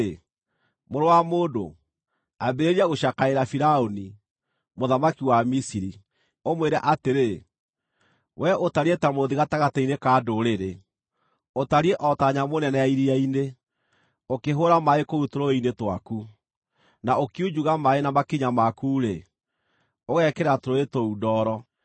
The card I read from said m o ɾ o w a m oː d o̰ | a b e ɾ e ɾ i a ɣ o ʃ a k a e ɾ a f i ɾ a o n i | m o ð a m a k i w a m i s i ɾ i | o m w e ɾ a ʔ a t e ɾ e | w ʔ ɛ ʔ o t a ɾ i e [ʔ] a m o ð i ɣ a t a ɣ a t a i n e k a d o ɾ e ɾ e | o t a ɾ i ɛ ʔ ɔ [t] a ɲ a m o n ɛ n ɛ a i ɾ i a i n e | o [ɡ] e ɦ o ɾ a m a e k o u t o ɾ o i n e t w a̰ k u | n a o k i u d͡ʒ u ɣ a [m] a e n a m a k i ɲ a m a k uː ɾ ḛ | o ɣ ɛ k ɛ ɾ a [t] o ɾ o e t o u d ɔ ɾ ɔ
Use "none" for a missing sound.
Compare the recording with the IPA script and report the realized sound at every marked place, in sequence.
t, t, k, m, t

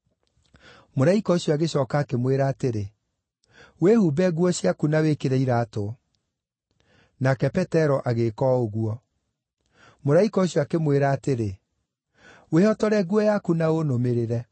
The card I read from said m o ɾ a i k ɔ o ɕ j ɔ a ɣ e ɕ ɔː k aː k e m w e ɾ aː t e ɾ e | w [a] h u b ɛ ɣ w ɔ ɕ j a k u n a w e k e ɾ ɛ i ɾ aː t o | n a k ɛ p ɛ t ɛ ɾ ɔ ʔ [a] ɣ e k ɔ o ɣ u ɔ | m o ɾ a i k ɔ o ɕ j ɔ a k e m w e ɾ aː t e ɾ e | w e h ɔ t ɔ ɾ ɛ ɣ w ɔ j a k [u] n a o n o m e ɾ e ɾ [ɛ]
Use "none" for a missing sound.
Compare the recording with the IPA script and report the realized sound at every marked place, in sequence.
e, a, u, ɛ

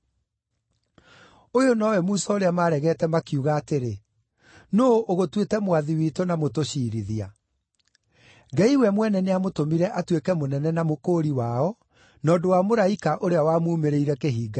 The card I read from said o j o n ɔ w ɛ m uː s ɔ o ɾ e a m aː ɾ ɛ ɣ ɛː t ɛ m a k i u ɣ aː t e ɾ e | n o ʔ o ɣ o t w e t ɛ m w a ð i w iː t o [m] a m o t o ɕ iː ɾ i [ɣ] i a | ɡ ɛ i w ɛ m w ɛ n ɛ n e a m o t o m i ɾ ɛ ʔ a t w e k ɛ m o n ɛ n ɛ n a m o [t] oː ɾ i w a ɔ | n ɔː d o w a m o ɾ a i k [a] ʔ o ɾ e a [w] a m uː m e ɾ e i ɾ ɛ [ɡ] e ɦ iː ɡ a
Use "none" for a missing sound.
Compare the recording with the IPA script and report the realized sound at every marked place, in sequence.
n, ð, k, a, w, k

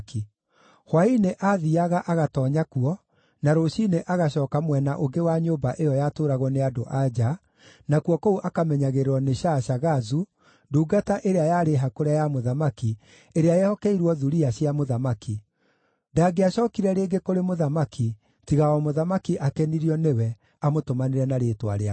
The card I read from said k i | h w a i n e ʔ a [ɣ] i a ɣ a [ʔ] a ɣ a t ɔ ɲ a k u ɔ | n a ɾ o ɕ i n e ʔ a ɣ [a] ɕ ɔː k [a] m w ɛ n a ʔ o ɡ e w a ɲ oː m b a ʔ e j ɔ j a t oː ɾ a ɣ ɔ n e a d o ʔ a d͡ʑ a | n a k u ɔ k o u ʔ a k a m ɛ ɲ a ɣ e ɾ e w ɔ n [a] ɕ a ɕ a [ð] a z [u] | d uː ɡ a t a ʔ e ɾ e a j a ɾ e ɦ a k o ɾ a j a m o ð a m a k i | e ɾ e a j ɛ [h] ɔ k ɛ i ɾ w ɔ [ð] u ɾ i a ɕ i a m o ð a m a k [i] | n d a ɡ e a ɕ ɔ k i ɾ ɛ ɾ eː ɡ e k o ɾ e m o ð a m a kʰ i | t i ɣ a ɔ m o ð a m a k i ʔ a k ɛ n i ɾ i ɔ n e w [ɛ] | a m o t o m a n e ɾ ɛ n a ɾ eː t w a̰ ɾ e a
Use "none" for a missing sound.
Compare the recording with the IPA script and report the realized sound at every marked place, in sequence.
ð, ʔ, a, a, e, ɣ, u, h, ð, i, ɛ

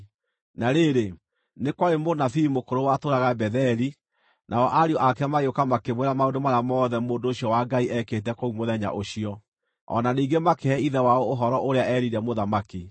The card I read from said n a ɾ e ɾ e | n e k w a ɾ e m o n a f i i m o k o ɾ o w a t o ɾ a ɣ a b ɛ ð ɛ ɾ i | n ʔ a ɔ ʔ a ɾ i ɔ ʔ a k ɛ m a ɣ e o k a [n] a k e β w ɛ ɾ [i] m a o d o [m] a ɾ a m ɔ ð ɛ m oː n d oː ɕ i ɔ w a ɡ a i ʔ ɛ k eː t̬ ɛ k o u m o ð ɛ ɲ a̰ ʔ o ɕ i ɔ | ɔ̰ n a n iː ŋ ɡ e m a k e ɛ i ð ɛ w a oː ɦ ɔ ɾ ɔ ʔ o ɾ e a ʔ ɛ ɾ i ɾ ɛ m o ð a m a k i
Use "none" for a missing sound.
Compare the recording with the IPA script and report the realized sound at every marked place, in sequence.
m, a, m

